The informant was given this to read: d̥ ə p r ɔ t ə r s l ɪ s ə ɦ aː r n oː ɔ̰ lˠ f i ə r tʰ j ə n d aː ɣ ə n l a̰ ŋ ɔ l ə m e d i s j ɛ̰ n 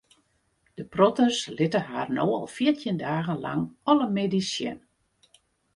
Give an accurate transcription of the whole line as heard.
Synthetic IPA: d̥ ə p r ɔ t ə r s l ɪ t ə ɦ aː r n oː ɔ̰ lˠ f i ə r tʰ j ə n d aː ɣ ə n l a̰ ŋ ɔ l ə m e d i s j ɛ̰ n

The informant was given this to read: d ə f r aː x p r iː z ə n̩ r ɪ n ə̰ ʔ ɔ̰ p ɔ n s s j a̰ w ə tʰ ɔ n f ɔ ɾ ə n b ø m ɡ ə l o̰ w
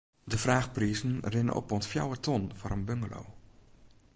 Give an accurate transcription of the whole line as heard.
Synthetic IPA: d ə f r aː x p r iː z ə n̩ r ɪ n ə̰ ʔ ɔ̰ p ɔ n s f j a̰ w ə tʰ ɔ n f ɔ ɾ ə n b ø ŋ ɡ ə l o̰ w

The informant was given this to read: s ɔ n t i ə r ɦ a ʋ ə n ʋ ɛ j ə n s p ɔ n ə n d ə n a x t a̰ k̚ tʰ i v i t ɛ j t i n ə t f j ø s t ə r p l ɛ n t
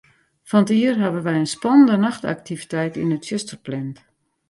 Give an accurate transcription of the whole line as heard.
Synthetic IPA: f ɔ n t i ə r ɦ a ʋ ə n ʋ ɛ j ə n s p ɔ n ə n d ə n a x t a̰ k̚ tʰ i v i t ɛ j t i n ə t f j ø s t ə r p l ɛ n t

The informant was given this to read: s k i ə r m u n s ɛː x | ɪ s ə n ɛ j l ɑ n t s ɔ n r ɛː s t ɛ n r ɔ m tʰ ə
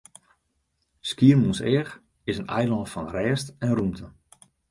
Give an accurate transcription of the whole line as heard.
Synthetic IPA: s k i ə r m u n s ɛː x | ɪ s ə n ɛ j l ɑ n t f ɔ n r ɛː s t ɛ n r u m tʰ ə

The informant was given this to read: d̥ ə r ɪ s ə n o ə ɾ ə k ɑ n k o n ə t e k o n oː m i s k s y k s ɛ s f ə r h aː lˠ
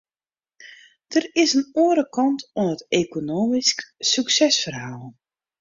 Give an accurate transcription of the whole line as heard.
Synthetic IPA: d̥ ə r ɪ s ə n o ə ɾ ə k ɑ n t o n ə t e k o n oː m i s k s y k s ɛ s f ə r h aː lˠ

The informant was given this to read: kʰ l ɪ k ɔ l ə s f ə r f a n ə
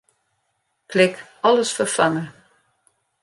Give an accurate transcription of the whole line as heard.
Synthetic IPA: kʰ l ɪ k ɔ l ə s f ə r f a ŋ ə

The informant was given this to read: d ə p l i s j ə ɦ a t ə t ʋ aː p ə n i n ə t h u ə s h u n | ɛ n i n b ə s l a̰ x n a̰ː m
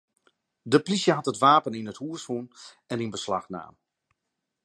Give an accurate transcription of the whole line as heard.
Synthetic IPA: d ə p l i s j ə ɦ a t ə t ʋ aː p ə n i n ə t h u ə s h u n | ɛ n i n b ə s l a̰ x n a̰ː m

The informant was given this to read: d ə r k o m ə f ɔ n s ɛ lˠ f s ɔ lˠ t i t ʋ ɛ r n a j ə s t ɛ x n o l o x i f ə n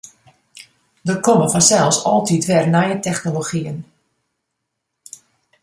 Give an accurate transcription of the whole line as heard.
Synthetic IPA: d ə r k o m ə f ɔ n s ɛ lˠ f s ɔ lˠ t i t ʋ ɛ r n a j ə t ɛ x n o l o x i ə n

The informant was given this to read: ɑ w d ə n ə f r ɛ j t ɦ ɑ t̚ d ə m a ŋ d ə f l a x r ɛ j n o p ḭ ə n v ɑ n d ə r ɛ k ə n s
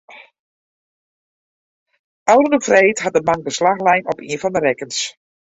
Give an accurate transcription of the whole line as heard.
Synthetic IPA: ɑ w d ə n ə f r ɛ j t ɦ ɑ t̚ d ə m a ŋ d ə s l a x l ɛ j n ɔ p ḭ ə n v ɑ n d ə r ɛ k ə n s

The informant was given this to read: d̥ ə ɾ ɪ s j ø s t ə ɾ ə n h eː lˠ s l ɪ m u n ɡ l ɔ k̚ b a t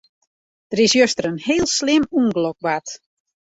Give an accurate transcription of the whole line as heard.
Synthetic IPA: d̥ ə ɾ ɪ s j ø s t ə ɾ ə n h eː lˠ s l ɪ m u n ɡ l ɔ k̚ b a t

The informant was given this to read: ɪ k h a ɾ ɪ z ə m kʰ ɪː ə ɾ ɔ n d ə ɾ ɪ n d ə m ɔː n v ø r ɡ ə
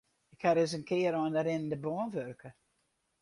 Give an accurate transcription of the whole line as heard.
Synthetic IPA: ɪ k h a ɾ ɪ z ə n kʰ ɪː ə ɾ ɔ n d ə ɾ ɪ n d ə b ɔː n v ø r k ə

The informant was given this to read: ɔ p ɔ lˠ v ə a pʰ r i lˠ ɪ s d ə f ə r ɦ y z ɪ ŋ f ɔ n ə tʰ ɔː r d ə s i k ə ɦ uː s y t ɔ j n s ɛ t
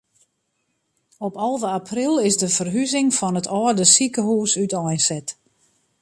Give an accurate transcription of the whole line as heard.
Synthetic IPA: ɔ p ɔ lˠ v ə a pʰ r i lˠ ɪ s d ə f ə r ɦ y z ɪ ŋ f ɔ n ə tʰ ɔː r d ə s i k ə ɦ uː s y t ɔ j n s ɛ t

